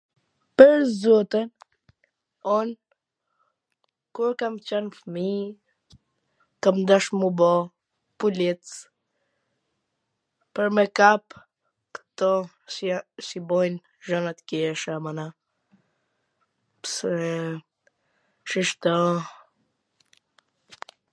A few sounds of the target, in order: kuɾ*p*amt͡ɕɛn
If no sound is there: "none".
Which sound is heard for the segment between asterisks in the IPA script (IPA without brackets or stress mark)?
k